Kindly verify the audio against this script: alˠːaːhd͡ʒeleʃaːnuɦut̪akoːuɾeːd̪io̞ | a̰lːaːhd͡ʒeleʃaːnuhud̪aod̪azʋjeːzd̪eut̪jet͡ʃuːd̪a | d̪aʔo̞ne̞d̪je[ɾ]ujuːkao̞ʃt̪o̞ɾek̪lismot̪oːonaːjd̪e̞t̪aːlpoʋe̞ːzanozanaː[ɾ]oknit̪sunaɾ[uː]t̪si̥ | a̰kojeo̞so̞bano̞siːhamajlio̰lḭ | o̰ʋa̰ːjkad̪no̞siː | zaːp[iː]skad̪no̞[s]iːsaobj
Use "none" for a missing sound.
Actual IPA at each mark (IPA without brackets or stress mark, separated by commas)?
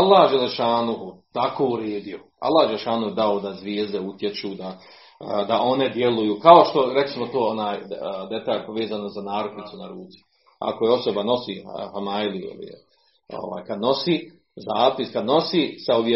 l, ɾ, uː, i, s